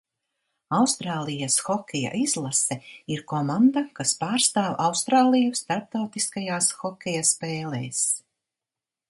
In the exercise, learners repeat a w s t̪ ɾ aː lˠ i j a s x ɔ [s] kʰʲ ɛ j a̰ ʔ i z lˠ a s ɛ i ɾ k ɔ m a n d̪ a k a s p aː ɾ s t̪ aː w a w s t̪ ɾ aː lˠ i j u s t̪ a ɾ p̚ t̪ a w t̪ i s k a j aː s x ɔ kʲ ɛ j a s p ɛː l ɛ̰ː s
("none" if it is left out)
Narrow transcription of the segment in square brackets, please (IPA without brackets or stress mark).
none